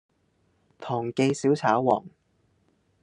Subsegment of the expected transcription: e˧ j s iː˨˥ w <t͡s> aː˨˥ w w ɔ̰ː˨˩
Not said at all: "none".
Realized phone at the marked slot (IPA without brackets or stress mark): t͡sʰ